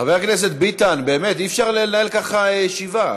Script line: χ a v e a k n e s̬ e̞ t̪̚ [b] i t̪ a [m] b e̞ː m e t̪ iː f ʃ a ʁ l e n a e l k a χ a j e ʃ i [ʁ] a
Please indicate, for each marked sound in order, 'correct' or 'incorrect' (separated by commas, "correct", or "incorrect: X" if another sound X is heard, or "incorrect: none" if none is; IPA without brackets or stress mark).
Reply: correct, incorrect: n, incorrect: v